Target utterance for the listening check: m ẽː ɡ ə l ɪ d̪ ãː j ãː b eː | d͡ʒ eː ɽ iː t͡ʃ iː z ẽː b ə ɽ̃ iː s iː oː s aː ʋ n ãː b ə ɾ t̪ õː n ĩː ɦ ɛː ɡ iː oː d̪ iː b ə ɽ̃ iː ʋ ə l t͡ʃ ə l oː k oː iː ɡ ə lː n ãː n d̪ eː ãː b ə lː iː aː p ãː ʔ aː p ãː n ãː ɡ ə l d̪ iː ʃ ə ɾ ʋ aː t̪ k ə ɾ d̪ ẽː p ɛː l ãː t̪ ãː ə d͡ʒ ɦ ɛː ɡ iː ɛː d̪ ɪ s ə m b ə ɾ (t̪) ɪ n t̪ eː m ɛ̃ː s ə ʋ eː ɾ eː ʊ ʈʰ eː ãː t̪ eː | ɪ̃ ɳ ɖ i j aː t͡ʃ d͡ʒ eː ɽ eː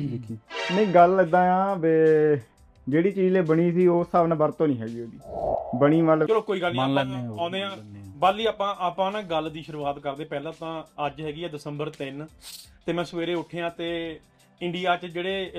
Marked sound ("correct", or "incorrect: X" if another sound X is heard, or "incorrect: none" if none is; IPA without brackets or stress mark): correct